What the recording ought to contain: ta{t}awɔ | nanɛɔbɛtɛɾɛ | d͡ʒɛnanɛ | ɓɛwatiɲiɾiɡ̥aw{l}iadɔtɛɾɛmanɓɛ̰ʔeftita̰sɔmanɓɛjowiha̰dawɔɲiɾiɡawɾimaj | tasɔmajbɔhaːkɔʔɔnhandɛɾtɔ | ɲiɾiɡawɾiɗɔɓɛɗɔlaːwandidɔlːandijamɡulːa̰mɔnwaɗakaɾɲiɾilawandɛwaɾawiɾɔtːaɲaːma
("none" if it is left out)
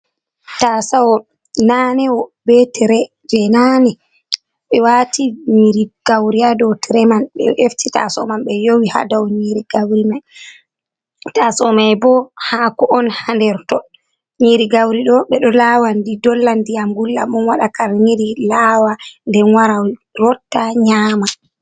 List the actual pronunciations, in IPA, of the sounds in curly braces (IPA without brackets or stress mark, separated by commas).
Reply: s, ɾ